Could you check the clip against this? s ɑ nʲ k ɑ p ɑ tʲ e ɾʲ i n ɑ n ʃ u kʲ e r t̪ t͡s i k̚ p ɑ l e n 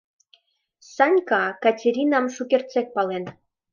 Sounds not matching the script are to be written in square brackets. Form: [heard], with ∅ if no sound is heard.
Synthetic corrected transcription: s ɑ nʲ k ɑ [k] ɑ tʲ e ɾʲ i n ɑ [m] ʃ u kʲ e r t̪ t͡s [e] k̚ p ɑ l e n

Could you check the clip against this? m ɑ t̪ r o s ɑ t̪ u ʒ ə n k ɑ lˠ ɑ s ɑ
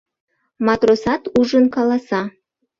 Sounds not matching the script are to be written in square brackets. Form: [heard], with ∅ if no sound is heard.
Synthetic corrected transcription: m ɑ t̪ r o s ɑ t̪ u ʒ ə n k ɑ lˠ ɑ s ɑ

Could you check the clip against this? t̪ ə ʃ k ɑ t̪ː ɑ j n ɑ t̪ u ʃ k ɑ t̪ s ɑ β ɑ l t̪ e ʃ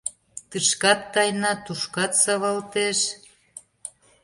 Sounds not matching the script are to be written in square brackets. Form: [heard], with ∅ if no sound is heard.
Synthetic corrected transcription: t̪ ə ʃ k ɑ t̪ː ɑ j n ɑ t̪ u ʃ k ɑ t̪ s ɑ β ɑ l t̪ e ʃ

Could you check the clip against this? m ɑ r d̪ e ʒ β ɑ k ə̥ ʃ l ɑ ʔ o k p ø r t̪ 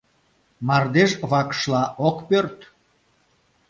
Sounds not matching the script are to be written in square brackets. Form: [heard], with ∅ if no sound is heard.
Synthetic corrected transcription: m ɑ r d̪ e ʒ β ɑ k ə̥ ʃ l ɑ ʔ o k p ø r t̪

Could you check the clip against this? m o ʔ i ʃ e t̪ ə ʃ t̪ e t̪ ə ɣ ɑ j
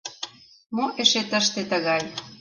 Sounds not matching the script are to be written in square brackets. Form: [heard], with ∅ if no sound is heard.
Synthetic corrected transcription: m o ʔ [e] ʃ e t̪ ə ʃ t̪ e t̪ ə ɣ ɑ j

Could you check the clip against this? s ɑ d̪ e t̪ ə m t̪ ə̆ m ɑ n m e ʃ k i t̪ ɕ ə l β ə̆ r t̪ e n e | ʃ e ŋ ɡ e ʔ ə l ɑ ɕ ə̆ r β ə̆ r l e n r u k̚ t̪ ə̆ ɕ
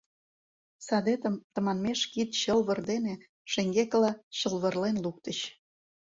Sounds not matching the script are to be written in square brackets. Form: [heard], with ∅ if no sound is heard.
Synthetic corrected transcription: s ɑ d̪ e t̪ ə m t̪ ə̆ m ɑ n m e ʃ k i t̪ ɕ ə l β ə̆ r [d̪] e n e | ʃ e ŋ ɡ e [k] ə l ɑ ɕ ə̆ [l] β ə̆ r l e n [l] u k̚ t̪ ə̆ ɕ

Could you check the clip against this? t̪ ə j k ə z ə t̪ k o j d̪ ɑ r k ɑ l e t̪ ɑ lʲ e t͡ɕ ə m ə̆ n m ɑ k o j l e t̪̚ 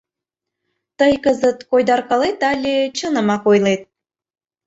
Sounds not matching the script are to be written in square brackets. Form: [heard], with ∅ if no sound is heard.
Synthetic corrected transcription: t̪ ə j k ə z ə t̪ k o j d̪ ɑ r k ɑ l e t̪ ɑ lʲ e t͡ɕ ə [n] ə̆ [∅] m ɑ k o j l e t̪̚

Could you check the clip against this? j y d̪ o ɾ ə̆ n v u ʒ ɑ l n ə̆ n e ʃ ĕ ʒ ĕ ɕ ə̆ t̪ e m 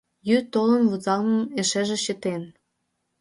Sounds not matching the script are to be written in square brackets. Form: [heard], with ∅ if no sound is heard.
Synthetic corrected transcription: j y [t̪] o [l] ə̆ n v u [z] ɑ l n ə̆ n e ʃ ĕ ʒ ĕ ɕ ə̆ t̪ e [n]

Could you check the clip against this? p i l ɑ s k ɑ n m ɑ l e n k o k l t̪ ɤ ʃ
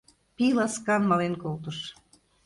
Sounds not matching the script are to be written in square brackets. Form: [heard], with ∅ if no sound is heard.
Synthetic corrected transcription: p i l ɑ s k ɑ n m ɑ l e n k o [∅] l t̪ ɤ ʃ

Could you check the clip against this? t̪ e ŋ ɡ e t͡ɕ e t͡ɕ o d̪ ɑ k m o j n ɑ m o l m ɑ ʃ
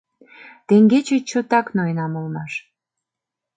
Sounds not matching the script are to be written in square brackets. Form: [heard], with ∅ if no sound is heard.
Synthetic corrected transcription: t̪ e ŋ ɡ e t͡ɕ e t͡ɕ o [t̪] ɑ k [n] o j n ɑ m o l m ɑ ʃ

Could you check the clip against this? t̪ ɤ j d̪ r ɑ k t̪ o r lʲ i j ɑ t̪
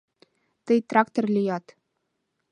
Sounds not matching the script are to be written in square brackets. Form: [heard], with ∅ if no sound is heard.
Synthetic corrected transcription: t̪ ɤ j [t̪] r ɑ k t̪ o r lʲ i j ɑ t̪

